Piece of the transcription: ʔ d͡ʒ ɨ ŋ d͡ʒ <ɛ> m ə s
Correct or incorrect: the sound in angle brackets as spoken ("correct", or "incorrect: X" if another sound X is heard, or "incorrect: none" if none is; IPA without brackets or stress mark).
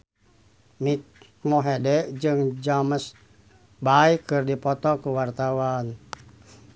incorrect: a